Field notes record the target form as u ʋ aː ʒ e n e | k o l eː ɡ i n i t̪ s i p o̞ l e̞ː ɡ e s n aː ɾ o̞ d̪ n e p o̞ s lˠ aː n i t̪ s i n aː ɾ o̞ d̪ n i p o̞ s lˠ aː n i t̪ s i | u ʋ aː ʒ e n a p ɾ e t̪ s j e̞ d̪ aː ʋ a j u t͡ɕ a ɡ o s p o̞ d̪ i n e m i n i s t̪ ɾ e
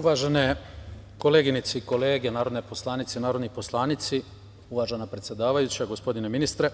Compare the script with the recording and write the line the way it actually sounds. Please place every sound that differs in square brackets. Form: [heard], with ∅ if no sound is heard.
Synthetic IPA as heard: u ʋ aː ʒ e n e | k o l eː ɡ i n i t̪ s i [k] o̞ l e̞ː ɡ e [∅] n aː ɾ o̞ d̪ n e p o̞ s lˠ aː n i t̪ s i n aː ɾ o̞ d̪ n i p o̞ s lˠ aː n i t̪ s i | u ʋ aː ʒ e n a p ɾ e t̪ s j e̞ d̪ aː ʋ a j u t͡ɕ a ɡ o s p o̞ d̪ i n e m i n i s t̪ ɾ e